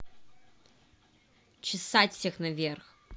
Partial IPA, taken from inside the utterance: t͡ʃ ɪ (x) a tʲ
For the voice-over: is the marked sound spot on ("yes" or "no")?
no